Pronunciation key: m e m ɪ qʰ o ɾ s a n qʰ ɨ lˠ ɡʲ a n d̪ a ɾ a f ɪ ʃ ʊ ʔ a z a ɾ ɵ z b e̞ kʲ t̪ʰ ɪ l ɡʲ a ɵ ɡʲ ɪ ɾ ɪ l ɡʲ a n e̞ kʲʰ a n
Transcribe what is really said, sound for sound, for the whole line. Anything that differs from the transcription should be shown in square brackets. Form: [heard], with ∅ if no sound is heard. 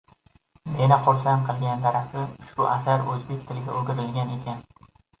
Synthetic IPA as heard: m e [n] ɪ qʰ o ɾ s a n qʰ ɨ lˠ ɡʲ a n d̪ a ɾ a f ɪ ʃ ʊ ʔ a [s] a ɾ ɵ z b e̞ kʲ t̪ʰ ɪ l ɡʲ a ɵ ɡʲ ɪ ɾ ɪ l ɡʲ a n e̞ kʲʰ a n